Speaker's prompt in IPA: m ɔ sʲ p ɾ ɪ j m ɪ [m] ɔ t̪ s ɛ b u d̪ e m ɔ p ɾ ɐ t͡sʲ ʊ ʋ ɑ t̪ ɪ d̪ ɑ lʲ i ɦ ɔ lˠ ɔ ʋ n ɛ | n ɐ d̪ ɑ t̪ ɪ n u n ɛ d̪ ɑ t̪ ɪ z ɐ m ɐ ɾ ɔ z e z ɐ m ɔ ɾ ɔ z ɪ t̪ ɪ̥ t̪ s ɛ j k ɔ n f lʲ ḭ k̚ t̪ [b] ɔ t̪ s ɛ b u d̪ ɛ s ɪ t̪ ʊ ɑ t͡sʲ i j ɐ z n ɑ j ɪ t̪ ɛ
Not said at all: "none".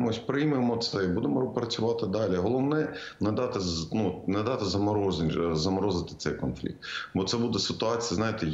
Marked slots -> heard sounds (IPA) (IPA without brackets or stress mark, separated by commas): m, b